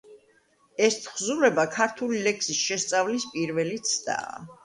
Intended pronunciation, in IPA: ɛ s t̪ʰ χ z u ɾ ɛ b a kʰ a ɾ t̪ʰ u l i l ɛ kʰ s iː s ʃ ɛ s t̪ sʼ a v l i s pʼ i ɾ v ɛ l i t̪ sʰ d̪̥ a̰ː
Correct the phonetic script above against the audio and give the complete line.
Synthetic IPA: ɛ s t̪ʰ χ z u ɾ ɛ b a kʰ a ɾ t̪ʰ u l i l ɛ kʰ s i s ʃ ɛ s t̪ sʼ a v l i s pʼ i ɾ v ɛ l i t̪ sʰ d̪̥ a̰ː